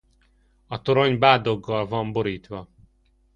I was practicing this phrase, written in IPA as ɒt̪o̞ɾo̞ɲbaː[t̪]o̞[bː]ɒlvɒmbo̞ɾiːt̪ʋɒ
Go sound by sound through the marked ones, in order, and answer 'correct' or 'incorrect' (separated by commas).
incorrect, incorrect